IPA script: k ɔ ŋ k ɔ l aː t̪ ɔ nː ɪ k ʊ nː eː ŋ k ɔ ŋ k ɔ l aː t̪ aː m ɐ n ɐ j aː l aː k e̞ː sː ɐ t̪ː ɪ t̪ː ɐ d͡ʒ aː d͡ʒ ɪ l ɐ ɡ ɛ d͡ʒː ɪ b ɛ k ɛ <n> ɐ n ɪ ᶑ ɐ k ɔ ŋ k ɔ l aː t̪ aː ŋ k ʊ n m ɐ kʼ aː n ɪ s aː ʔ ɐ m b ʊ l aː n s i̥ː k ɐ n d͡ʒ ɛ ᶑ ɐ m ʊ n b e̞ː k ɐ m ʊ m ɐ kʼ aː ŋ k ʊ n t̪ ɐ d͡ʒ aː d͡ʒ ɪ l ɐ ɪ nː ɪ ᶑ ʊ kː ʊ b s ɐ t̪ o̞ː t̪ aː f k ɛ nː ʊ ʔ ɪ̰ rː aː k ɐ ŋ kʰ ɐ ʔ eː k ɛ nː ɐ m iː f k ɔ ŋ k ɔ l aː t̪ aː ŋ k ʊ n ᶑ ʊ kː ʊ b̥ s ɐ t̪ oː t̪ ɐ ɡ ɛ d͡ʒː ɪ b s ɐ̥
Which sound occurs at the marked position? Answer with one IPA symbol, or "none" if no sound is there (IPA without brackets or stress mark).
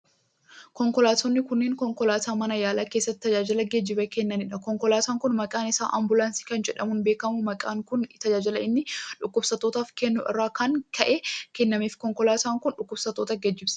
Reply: nː